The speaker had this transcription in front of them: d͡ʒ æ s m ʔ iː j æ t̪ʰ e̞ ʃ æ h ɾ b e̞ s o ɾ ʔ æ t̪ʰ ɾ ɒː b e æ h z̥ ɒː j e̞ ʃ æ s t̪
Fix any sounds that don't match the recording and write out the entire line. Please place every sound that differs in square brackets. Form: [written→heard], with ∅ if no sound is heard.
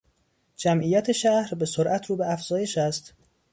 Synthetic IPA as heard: d͡ʒ æ [s→∅] m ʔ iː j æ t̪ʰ e̞ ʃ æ h ɾ b e̞ s o ɾ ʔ æ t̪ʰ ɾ [ɒː→uː] b e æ [h→f] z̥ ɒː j e̞ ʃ æ s t̪